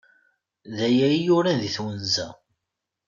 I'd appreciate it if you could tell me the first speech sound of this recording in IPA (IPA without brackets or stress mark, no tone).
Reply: ð